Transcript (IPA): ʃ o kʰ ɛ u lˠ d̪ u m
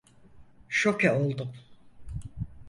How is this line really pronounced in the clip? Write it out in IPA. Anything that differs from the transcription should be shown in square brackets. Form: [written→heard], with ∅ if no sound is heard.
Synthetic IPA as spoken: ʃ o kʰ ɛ [u→o] lˠ d̪ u m